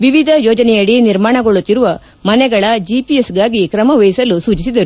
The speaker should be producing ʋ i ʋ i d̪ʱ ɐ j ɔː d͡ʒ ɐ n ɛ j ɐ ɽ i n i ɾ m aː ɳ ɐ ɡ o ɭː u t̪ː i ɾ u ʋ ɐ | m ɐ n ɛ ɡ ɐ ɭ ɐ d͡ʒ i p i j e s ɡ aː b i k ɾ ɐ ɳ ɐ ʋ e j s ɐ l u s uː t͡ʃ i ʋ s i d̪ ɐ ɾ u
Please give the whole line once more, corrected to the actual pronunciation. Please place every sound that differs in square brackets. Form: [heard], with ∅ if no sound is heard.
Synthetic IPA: ʋ i ʋ i d̪ʱ ɐ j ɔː d͡ʒ ɐ n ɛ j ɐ ɽ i n i ɾ m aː ɳ ɐ ɡ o [ɭ] u t̪ː i ɾ u ʋ ɐ | m ɐ n ɛ ɡ ɐ ɭ ɐ d͡ʒ i p i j e s ɡ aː [ɡ] i k ɾ ɐ [m] ɐ ʋ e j s ɐ l u s uː t͡ʃ i [∅] s i d̪ ɐ ɾ u